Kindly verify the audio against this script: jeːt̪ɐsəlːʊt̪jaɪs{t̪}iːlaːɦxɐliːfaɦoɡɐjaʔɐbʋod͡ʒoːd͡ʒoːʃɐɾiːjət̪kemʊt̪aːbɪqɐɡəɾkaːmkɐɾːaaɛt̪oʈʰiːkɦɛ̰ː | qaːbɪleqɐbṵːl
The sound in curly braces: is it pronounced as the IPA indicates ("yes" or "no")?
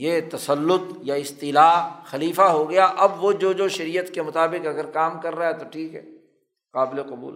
yes